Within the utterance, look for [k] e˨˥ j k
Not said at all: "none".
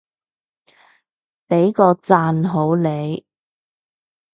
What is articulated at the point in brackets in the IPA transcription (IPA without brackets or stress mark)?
p